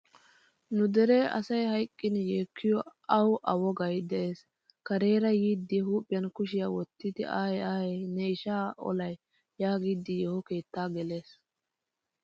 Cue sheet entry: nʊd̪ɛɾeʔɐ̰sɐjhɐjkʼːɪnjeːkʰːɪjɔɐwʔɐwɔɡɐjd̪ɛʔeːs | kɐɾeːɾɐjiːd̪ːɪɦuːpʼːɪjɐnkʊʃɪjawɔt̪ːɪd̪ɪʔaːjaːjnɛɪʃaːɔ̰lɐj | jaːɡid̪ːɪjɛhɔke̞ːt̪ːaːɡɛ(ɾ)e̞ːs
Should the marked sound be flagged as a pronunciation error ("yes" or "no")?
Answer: yes